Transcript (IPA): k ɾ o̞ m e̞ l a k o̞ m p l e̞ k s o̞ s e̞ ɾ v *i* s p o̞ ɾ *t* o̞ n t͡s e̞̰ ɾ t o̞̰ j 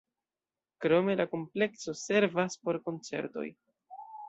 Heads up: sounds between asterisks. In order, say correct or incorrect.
incorrect: a, incorrect: k

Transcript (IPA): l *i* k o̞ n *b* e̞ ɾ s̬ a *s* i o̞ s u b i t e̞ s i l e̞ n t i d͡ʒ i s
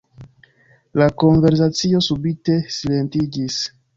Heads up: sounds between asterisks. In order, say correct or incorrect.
incorrect: a, incorrect: v, incorrect: t͡s

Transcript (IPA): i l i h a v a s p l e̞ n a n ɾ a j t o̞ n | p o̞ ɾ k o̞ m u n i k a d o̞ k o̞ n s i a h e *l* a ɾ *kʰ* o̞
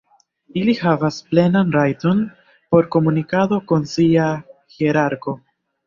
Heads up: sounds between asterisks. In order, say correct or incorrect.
incorrect: ɾ, incorrect: k

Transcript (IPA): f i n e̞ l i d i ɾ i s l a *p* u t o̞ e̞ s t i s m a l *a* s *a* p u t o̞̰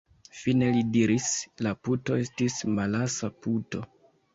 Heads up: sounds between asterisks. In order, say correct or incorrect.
correct, correct, correct

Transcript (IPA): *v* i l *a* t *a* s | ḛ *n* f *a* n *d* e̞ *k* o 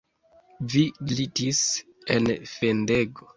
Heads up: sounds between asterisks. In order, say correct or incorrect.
correct, incorrect: i, incorrect: i, correct, incorrect: e, correct, incorrect: ɡ

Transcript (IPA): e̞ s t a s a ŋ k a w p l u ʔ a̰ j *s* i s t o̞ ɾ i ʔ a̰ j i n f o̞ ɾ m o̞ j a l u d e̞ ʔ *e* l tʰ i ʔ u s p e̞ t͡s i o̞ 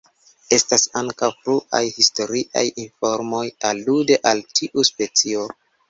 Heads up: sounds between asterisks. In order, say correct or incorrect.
incorrect: h, incorrect: a

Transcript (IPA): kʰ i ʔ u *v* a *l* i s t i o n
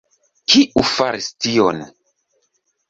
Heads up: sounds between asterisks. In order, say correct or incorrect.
incorrect: f, incorrect: ɾ

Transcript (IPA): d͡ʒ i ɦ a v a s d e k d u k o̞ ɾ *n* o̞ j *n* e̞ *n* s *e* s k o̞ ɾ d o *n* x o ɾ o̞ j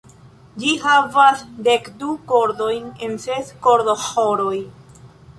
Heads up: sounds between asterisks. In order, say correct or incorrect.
incorrect: d, correct, correct, correct, incorrect: none

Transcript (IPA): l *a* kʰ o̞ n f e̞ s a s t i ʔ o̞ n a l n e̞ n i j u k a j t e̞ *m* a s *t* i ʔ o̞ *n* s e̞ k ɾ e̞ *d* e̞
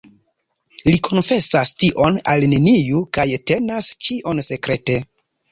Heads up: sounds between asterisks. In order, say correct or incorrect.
incorrect: i, incorrect: n, incorrect: t͡ʃ, correct, incorrect: t

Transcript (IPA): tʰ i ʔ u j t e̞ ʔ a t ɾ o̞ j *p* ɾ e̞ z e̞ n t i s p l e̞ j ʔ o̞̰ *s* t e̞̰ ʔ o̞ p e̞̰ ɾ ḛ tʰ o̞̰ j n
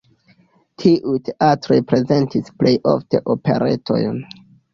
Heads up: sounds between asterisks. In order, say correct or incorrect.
correct, incorrect: f

